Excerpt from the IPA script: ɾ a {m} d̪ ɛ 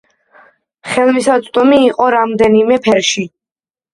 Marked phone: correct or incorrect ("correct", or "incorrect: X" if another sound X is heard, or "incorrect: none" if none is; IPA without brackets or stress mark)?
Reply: correct